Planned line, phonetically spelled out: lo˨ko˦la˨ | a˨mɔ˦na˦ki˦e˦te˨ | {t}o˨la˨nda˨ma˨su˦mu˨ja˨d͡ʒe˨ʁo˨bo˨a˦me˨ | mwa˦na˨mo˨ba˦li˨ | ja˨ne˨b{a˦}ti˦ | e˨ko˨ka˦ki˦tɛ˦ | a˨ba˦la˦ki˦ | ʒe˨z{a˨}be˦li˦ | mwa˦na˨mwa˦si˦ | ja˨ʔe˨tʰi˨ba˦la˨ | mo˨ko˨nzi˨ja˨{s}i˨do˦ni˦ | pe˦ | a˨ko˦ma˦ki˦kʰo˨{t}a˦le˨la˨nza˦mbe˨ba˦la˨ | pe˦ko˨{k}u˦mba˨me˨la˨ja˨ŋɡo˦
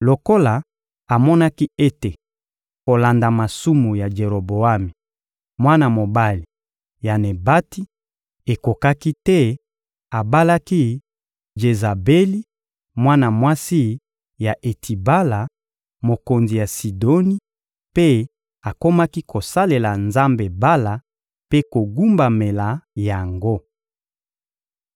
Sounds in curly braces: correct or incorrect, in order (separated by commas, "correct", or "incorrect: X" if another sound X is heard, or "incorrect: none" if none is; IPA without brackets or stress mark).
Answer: incorrect: k, correct, correct, correct, incorrect: s, incorrect: ɡ